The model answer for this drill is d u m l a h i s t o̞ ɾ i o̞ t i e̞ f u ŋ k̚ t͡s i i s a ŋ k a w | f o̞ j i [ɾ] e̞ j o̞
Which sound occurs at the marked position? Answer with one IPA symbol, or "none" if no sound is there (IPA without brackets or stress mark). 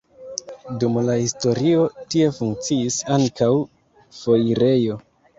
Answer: ɾ